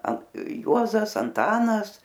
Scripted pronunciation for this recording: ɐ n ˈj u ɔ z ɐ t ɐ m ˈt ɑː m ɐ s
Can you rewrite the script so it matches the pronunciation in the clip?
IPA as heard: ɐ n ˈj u ɔ z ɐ s ɐ n ˈt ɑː n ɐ s